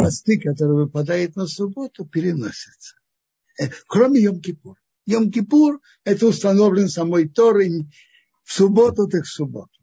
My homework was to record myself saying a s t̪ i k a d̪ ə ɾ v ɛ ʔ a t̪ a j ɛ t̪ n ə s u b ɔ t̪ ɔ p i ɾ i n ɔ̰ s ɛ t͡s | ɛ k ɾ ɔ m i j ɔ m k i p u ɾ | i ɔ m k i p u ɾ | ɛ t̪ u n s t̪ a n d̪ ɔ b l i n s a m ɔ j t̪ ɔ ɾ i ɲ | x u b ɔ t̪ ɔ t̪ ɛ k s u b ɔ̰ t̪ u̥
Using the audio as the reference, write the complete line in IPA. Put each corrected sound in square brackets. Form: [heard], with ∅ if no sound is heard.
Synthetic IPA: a s t̪ i k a [t̪] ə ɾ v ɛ [p] a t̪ a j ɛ t̪ n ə s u b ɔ t̪ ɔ p i ɾ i n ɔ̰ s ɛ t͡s | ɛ k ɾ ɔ m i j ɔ m k i p u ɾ | [j] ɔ m k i p u ɾ | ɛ t̪ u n s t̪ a n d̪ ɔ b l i n s a m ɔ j t̪ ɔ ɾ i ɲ | [s] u b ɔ t̪ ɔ t̪ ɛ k s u b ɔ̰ t̪ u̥